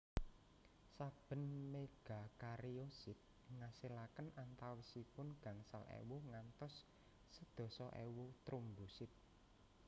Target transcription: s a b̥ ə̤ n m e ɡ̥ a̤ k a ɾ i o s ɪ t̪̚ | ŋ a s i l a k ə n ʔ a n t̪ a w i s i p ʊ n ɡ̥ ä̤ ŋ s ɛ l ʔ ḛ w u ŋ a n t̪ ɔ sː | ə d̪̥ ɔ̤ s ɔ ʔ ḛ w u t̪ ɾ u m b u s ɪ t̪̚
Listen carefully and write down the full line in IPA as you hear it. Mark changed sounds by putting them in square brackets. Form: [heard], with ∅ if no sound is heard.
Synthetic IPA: s a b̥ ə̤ n m e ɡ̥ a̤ k a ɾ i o s ɪ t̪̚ | ŋ a s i l a k ə n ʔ a n t̪ a w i s i p ʊ n ɡ̥ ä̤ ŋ s [a] l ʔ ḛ w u ŋ a n t̪ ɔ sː | ə d̪̥ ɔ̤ s ɔ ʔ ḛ w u t̪ ɾ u m b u s ɪ t̪̚